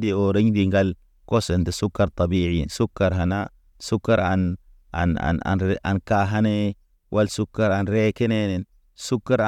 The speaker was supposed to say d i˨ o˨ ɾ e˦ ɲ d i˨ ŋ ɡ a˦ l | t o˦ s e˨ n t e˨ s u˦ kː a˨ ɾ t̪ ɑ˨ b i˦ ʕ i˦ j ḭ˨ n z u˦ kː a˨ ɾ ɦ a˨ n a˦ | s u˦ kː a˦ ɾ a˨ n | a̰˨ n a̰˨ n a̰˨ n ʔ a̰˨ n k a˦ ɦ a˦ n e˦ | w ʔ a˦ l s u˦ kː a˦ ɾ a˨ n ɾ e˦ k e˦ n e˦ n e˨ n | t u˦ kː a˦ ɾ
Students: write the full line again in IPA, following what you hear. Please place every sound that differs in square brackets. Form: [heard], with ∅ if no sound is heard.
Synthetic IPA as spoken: d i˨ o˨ ɾ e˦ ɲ d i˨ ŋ ɡ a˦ l | [k] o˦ s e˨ n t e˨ s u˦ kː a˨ ɾ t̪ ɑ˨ b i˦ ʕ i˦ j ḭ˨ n [s] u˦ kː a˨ ɾ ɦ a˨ n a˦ | s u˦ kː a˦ ɾ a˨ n | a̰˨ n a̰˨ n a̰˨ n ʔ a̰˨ n k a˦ ɦ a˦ n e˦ | w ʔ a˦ l s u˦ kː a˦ ɾ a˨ n ɾ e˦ k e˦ n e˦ n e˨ n | [s] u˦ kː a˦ ɾ